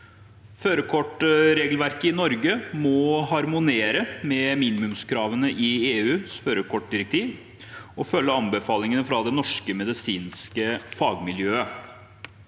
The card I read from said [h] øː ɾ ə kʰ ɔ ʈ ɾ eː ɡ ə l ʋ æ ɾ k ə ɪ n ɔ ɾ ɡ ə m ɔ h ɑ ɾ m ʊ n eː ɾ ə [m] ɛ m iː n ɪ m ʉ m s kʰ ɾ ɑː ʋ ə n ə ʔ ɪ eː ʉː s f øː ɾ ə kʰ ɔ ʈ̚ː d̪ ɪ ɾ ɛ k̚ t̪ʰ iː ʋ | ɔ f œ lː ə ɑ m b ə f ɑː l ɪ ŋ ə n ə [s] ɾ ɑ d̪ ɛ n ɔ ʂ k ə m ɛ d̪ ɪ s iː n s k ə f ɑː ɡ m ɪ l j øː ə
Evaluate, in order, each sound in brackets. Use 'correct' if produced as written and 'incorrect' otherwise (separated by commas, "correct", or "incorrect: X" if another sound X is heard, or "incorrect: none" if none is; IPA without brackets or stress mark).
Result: incorrect: f, correct, incorrect: f